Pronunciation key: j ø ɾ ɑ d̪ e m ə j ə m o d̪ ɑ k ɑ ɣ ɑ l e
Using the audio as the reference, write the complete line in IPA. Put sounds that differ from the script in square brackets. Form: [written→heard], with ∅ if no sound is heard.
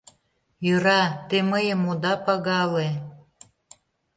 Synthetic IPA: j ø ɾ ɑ [d̪→t̪] e m ə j ə m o d̪ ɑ [k→p] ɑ ɣ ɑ l e